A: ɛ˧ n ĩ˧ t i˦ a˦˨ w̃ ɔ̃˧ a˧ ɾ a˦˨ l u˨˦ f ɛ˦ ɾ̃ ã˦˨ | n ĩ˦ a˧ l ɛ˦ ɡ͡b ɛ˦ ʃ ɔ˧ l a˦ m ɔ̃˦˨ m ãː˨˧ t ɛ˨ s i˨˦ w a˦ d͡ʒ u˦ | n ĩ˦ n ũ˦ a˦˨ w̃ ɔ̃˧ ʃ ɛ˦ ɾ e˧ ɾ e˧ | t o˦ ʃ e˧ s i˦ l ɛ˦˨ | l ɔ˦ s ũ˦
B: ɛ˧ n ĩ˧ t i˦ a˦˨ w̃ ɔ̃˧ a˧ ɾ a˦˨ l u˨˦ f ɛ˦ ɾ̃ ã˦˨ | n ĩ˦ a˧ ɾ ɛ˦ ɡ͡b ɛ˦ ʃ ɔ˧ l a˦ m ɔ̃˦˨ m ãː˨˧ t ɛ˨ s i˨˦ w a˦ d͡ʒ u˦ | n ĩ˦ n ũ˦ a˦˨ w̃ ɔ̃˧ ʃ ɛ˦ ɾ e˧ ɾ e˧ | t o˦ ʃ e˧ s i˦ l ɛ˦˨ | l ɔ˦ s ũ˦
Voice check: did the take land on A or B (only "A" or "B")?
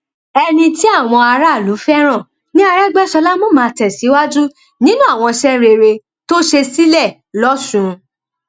B